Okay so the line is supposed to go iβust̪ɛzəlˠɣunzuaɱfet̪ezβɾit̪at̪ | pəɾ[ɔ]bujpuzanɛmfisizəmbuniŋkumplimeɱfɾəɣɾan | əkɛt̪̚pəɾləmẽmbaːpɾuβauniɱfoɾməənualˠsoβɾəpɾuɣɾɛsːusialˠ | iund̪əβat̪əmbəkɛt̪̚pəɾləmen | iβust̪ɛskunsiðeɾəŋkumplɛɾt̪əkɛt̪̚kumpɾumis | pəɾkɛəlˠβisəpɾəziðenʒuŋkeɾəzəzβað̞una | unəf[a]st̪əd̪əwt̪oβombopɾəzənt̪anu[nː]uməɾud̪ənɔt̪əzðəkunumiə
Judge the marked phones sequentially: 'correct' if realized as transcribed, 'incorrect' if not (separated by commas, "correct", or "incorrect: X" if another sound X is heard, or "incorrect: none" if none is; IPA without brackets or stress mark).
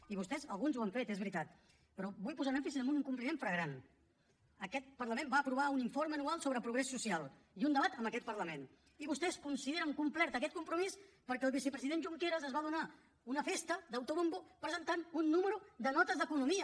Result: correct, incorrect: e, correct